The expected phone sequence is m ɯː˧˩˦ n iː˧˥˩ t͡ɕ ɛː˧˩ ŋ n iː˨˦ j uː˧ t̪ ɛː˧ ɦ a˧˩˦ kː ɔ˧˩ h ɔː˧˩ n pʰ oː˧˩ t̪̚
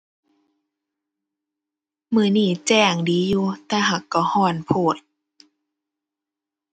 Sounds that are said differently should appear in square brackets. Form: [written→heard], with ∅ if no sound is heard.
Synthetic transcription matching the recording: m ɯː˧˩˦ n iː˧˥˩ t͡ɕ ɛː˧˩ ŋ [n→d] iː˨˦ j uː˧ t̪ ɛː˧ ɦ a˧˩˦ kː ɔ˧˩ h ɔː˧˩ n pʰ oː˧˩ t̪̚